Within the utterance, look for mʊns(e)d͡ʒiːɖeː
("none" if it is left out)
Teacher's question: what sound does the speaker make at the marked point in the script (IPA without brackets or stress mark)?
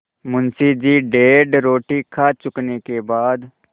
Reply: i